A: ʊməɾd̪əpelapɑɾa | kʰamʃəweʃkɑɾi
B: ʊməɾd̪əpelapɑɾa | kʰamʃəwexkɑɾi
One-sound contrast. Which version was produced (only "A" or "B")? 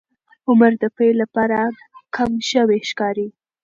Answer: A